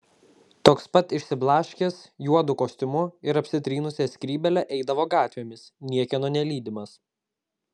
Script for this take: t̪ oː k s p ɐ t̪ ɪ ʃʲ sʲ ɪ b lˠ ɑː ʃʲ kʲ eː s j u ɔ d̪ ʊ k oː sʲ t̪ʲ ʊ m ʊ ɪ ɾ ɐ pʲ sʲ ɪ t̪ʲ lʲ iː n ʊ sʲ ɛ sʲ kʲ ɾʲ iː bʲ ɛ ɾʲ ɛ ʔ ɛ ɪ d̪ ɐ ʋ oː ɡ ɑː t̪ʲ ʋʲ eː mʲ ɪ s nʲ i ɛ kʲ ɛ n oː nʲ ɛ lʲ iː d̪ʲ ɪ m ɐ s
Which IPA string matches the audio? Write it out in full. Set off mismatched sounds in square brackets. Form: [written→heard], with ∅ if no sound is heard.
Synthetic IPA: t̪ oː k s p ɐ t̪ ɪ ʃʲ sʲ ɪ b lˠ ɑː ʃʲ kʲ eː s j u ɔ d̪ ʊ k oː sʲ t̪ʲ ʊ m ʊ ɪ ɾ ɐ pʲ sʲ ɪ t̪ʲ [lʲ→ɾʲ] iː n ʊ sʲ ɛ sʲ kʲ ɾʲ iː bʲ ɛ [ɾʲ→lʲ] ɛ ʔ ɛ ɪ d̪ ɐ ʋ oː ɡ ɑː t̪ʲ ʋʲ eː mʲ ɪ s nʲ i ɛ kʲ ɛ n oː nʲ ɛ lʲ iː d̪ʲ ɪ m ɐ s

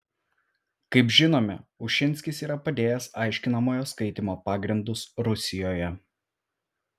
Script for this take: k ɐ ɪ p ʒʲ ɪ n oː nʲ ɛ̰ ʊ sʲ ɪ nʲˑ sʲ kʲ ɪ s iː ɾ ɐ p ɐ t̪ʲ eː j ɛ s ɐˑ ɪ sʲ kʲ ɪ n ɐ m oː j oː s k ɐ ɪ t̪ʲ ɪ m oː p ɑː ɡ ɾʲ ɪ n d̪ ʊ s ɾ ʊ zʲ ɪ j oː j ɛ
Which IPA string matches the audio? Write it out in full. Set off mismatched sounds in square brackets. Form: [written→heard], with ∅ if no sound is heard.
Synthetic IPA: k ɐ ɪ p ʒʲ ɪ n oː [nʲ→mʲ] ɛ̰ ʊ [sʲ→ʃʲ] ɪ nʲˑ sʲ kʲ ɪ s iː ɾ ɐ p ɐ [t̪ʲ→d̪ʲ] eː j ɛ s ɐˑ ɪ [sʲ→ʃʲ] kʲ ɪ n ɐ m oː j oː s k ɐ ɪ t̪ʲ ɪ m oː p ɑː ɡ ɾʲ ɪ n d̪ ʊ s ɾ ʊ [zʲ→sʲ] ɪ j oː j ɛ

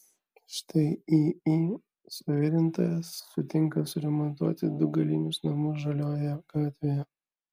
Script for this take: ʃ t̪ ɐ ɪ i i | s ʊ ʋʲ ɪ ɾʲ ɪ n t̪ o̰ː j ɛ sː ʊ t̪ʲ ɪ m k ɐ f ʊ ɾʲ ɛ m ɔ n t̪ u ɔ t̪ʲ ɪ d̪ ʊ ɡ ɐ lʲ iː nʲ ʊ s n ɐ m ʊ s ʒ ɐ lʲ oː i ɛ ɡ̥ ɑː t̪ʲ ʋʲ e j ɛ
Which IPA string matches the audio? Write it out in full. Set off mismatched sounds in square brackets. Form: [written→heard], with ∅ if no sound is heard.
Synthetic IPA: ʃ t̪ ɐ ɪ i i | s ʊ ʋʲ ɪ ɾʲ ɪ n t̪ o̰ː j ɛ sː ʊ t̪ʲ ɪ [m→ŋ] k ɐ [f→s] ʊ ɾʲ ɛ m ɔ n t̪ u ɔ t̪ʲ ɪ d̪ ʊ ɡ ɐ lʲ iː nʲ ʊ s n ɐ m ʊ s ʒ ɐ lʲ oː [i→j] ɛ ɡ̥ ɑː t̪ʲ ʋʲ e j ɛ

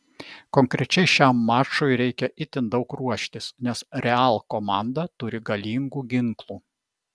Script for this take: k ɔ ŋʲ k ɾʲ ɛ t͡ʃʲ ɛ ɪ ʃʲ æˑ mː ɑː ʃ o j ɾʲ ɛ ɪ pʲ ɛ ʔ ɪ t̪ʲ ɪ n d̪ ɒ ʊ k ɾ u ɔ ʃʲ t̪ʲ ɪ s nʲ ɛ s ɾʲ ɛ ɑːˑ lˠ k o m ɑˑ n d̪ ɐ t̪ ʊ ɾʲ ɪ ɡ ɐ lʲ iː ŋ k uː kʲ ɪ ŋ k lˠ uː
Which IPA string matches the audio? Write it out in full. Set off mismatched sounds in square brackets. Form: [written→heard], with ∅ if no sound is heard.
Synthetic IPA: k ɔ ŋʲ k ɾʲ ɛ t͡ʃʲ ɛ ɪ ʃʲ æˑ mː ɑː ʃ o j ɾʲ ɛ ɪ [pʲ→kʲ] ɛ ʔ ɪ t̪ʲ ɪ n d̪ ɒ ʊ k ɾ u ɔ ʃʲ t̪ʲ ɪ s nʲ ɛ s ɾʲ ɛ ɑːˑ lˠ k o m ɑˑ n d̪ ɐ t̪ ʊ ɾʲ ɪ ɡ ɐ lʲ iː ŋ [k→ɡ] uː [kʲ→ɡʲ] ɪ ŋ k lˠ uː

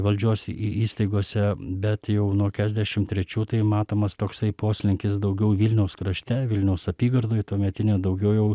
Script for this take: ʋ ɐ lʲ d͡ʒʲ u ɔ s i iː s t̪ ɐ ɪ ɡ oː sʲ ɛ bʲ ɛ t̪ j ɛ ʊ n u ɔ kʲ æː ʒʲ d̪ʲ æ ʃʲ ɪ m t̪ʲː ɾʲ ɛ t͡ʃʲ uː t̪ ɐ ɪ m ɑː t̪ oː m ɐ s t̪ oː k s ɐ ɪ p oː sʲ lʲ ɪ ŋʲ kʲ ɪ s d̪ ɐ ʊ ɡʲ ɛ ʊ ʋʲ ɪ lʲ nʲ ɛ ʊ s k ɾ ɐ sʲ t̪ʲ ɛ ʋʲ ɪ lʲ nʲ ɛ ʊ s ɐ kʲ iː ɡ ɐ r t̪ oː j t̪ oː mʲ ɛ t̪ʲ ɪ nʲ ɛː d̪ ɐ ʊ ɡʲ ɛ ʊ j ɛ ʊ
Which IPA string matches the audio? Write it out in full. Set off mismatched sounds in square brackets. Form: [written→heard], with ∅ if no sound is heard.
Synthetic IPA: ʋ ɐ lʲ d͡ʒʲ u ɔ s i iː s t̪ ɐ ɪ ɡ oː sʲ ɛ bʲ ɛ t̪ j ɛ ʊ n u ɔ kʲ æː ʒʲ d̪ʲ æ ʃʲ ɪ m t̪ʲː ɾʲ ɛ t͡ʃʲ uː t̪ ɐ ɪ m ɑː t̪ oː m ɐ s t̪ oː k s ɐ ɪ p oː sʲ lʲ ɪ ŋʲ kʲ ɪ s d̪ ɐ ʊ ɡʲ ɛ ʊ ʋʲ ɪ lʲ nʲ ɛ ʊ s k ɾ ɐ [sʲ→ʃʲ] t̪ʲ ɛ ʋʲ ɪ lʲ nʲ ɛ ʊ s ɐ [kʲ→pʲ] iː ɡ ɐ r [t̪→d̪] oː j t̪ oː mʲ ɛ t̪ʲ ɪ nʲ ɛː d̪ ɐ ʊ ɡʲ ɛ ʊ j ɛ ʊ

